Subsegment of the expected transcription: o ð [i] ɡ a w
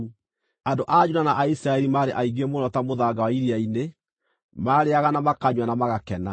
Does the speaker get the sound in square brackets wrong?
yes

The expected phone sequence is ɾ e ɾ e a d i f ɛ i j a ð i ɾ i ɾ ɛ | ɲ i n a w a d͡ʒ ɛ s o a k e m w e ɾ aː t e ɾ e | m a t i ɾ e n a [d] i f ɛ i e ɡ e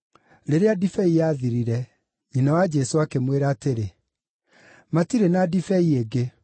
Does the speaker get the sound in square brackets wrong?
no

